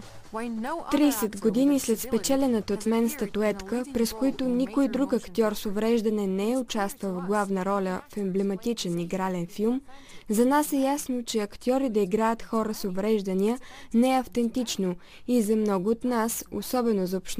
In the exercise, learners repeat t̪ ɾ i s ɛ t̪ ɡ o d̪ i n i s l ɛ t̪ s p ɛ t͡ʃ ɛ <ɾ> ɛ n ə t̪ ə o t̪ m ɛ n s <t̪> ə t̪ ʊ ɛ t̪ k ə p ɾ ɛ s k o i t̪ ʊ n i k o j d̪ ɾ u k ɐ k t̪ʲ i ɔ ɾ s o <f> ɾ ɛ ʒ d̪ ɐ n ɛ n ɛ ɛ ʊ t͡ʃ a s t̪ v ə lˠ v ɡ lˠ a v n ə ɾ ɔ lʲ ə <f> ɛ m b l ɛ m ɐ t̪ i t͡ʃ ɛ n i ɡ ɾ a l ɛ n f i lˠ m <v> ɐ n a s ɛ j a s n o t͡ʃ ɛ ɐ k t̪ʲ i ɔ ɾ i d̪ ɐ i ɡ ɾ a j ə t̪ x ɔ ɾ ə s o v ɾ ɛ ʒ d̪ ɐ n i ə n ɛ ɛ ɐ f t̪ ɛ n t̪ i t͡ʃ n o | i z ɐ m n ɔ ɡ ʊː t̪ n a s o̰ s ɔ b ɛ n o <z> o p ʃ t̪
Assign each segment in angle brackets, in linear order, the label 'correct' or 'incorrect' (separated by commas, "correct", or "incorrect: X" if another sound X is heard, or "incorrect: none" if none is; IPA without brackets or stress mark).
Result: incorrect: l, correct, incorrect: v, correct, incorrect: z, correct